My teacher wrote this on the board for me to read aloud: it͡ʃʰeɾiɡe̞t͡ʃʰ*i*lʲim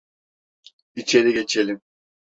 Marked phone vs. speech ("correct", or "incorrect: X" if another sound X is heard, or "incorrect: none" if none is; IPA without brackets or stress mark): incorrect: e